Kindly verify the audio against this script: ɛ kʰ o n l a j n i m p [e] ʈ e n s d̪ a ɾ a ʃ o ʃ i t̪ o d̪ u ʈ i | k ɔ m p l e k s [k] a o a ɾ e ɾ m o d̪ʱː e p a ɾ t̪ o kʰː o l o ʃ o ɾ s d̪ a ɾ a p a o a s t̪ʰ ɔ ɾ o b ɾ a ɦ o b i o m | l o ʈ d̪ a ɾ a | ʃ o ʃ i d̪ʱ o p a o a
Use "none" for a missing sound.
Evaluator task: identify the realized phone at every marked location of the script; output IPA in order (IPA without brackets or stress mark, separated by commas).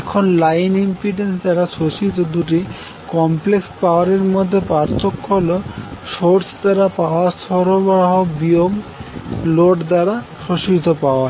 i, p